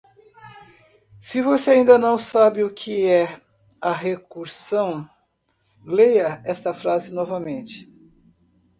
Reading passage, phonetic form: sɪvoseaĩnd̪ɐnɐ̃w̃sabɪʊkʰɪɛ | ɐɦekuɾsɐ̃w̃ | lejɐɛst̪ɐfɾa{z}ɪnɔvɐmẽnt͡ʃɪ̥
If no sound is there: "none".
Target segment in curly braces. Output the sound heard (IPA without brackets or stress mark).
z